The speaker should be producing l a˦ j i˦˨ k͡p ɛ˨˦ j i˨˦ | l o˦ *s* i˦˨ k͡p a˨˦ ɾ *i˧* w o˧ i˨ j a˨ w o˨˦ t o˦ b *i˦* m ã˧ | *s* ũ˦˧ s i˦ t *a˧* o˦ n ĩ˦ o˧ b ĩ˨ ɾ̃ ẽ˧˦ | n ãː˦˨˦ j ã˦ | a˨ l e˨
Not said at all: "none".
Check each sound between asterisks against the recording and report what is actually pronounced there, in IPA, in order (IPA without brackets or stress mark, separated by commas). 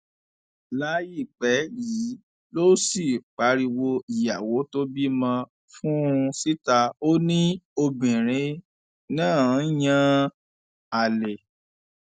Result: s, i˧, i˦, f, a˧